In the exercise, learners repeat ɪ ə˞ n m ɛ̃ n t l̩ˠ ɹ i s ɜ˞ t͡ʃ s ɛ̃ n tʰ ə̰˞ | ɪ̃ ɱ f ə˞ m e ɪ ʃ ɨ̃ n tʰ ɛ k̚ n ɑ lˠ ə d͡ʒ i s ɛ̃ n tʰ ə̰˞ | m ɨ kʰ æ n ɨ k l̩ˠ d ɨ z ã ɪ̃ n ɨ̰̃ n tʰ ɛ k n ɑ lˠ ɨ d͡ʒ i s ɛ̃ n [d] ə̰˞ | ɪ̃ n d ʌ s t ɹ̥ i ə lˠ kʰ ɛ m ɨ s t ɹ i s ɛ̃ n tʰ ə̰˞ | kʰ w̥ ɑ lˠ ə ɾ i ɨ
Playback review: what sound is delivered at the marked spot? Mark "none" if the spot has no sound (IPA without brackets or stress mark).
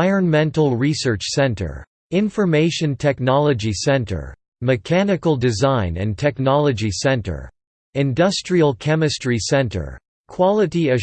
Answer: t